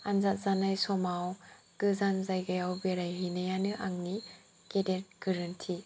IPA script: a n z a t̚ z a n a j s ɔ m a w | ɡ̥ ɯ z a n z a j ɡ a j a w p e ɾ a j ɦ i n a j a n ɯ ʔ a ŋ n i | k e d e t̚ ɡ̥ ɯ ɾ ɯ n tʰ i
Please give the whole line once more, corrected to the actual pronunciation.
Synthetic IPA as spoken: a n z a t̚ z a n a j s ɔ m a w | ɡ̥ ɯ z a n z a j ɡ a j a w b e ɾ a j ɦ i n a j a n ɯ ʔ a ŋ n i | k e d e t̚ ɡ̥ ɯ ɾ ɯ n tʰ i